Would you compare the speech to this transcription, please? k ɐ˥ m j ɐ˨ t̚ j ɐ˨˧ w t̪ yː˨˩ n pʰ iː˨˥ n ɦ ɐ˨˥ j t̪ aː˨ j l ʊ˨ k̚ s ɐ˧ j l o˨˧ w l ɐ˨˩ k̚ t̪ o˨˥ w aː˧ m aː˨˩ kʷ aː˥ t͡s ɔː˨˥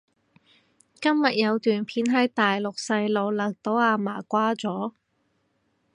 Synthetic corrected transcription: k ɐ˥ m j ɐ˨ t̚ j ɐ˨˧ w t̪ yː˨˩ n pʰ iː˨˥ n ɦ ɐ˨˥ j t̪ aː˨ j l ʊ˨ k̚ s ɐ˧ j l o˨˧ w l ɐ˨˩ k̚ t̪ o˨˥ w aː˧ m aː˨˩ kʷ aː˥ t͡s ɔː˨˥

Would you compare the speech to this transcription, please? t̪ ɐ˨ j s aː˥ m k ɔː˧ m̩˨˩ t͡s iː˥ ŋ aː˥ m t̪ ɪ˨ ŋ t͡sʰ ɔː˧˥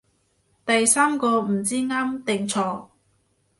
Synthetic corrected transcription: t̪ ɐ˨ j s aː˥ m k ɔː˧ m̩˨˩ t͡s iː˥ ŋ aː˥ m t̪ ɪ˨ ŋ t͡sʰ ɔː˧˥

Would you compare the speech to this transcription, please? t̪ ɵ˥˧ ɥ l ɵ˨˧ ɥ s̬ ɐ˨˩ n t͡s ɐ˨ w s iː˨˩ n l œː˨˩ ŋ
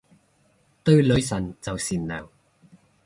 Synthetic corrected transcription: t̪ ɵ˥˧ ɥ l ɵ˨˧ ɥ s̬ ɐ˨˩ n t͡s ɐ˨ w s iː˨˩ n l œː˨˩ ŋ

